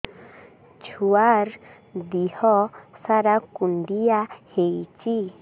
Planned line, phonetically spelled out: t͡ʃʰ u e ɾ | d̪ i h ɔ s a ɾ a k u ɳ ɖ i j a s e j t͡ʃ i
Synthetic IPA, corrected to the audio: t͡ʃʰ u a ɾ | d̪ i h ɔ s a ɾ a k u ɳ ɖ i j a h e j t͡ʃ i